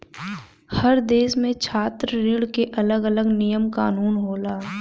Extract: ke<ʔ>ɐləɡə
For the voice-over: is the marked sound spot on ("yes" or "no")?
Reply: yes